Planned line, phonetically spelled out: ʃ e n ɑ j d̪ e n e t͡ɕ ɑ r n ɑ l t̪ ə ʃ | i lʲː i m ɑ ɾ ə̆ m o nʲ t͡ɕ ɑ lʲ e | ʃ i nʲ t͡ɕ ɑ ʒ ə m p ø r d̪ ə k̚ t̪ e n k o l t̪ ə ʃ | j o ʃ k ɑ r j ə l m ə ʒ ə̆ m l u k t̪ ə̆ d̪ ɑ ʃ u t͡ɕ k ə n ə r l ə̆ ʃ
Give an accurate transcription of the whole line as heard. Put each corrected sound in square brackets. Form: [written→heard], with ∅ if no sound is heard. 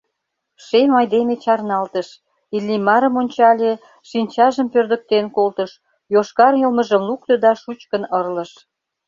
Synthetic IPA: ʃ e [n→m] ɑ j d̪ e [n→m] e t͡ɕ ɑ r n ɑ l t̪ ə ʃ | i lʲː i m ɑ ɾ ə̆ m o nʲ t͡ɕ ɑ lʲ e | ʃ i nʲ t͡ɕ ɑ ʒ ə m p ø r d̪ ə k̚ t̪ e n k o l t̪ ə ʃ | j o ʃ k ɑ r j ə l m ə ʒ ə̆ m l u k t̪ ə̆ d̪ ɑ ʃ u t͡ɕ k ə n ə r l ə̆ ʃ